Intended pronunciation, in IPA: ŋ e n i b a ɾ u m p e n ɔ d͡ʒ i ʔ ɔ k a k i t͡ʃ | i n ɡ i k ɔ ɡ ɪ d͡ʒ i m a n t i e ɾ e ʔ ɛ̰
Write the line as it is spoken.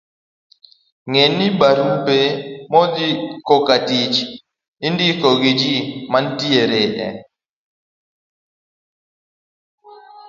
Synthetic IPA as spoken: ŋ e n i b a ɾ u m p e m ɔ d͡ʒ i k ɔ k a t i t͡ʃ | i n d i k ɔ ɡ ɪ d͡ʒ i m a n t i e ɾ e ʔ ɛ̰